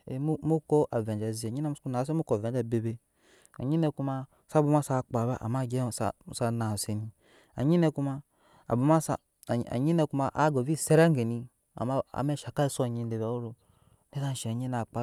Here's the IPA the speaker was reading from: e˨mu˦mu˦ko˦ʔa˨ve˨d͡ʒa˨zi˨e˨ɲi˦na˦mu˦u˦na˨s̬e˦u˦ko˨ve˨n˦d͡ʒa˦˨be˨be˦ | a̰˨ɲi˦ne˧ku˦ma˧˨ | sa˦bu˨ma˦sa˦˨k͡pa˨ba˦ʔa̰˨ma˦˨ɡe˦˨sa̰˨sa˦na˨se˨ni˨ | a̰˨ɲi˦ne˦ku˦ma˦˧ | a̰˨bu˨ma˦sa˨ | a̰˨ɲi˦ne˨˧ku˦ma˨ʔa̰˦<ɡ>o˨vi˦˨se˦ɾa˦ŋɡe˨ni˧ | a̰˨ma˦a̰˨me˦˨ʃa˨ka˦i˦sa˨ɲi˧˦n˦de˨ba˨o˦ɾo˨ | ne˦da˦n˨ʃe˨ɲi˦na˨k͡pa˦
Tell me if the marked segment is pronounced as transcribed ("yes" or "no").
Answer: yes